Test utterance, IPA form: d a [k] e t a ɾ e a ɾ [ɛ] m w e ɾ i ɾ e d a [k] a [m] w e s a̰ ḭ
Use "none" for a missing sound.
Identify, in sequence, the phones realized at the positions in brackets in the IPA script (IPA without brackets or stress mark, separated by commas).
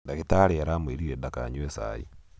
k, a, k, ɲ